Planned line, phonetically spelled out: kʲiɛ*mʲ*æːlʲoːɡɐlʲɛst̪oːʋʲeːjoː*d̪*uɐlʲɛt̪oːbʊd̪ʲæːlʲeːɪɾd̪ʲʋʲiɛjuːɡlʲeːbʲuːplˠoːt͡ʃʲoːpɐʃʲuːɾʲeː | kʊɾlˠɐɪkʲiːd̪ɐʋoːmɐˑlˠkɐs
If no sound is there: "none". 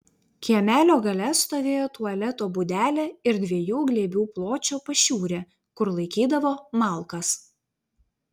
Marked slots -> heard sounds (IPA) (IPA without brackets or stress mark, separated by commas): mʲ, t̪